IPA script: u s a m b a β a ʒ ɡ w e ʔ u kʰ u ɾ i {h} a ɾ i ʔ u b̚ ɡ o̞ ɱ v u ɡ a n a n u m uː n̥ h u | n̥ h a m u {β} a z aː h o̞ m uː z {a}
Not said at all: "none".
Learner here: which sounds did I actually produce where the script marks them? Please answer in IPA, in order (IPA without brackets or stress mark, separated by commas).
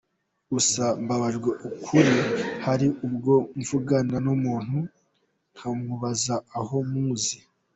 h, β, i